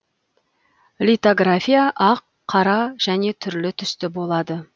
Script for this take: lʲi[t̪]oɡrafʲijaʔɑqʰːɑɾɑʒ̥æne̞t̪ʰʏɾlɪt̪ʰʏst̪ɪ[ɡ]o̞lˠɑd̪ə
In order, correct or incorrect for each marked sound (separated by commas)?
correct, incorrect